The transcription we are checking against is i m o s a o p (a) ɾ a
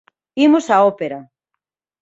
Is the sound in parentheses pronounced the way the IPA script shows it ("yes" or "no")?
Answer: no